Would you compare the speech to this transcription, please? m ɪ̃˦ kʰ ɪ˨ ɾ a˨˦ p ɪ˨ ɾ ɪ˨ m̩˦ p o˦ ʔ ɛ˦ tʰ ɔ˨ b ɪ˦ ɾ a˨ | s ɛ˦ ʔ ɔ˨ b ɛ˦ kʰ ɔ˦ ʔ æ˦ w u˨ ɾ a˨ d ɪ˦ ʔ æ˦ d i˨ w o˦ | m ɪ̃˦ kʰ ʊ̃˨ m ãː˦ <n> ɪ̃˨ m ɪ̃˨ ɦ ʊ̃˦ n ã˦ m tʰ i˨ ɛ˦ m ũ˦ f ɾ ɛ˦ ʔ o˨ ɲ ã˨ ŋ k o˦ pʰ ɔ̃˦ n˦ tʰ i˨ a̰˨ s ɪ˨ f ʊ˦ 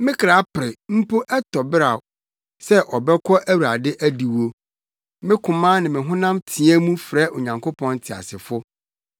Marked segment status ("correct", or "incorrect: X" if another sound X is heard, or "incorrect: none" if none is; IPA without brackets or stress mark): correct